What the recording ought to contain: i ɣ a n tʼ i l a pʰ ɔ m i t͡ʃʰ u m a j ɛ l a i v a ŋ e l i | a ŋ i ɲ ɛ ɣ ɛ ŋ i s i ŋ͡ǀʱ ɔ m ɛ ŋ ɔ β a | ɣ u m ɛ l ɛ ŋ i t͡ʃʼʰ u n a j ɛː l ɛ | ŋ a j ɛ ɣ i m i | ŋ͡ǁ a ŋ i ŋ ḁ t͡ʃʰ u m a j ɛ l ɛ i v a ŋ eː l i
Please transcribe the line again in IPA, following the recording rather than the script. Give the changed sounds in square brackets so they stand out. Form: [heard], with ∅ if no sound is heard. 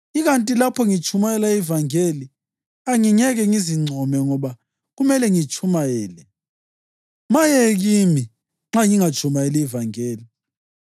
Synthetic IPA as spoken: i ɣ a n tʼ i l a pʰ ɔ [ŋ] i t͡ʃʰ u m a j ɛ l a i v a ŋ e l i | a ŋ i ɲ ɛ ɣ ɛ ŋ i [z] i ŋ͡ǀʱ ɔ m ɛ ŋ ɔ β a | ɣ u m ɛ l ɛ ŋ i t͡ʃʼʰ u [m] a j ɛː l ɛ | [m] a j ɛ ɣ i m i | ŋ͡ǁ a ŋ i ŋ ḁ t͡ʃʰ u m a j ɛ l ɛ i v a ŋ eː l i